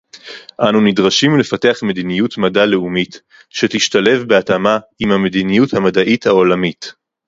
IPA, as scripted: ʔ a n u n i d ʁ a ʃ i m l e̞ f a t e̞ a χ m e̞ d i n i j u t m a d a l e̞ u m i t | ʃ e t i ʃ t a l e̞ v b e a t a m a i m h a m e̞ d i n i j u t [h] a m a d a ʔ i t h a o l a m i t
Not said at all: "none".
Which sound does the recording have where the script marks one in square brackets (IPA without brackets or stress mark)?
h